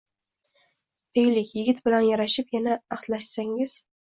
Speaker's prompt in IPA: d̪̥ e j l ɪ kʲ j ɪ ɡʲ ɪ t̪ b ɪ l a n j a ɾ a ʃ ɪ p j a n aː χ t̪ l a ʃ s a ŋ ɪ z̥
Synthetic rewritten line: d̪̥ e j l ɪ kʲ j ɪ ɡʲ ɪ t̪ b ɪ l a n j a ɾ a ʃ ɪ p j a n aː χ t̪ l a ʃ s a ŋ ɪ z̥